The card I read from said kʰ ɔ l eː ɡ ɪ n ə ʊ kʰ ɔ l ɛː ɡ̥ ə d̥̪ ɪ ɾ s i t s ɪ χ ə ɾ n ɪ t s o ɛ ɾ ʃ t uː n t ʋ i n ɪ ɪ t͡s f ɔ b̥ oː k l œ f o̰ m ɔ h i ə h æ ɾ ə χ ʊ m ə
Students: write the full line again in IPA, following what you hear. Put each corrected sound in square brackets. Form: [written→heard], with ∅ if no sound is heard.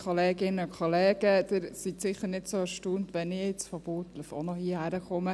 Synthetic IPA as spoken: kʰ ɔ l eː ɡ ɪ n ə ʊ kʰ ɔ l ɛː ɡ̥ ə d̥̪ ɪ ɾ s i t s ɪ χ ə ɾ n ɪ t s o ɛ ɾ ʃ t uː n t ʋ [i→ɛ] n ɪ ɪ t͡s f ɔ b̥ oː [k→t] l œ f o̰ [m→n] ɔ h i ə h æ ɾ ə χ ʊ m ə